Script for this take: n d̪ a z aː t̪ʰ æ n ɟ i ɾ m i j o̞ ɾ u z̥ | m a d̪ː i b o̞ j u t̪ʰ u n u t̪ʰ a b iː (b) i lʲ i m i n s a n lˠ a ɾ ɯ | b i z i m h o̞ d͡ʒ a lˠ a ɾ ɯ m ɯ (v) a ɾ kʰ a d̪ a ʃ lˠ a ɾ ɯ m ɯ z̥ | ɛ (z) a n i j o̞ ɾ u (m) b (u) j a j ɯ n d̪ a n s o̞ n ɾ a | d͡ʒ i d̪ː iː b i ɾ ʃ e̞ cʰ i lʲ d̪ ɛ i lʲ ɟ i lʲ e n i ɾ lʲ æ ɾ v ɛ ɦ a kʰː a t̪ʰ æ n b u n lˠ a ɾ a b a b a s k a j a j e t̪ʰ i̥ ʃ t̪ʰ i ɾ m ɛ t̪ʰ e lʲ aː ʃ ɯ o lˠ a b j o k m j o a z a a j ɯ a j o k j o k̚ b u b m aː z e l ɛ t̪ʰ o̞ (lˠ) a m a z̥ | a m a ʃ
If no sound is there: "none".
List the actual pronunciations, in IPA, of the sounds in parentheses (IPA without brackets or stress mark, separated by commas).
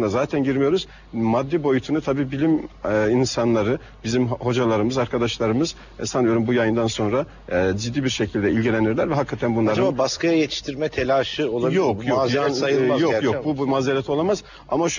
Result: b, z, s, m, u, lˠ